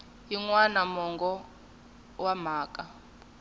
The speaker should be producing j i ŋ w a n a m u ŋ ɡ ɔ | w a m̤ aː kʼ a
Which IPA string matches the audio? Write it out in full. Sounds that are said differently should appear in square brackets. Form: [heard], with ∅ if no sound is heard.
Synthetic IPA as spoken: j i ŋ w a n a m [ɔ] ŋ ɡ ɔ | w a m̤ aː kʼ a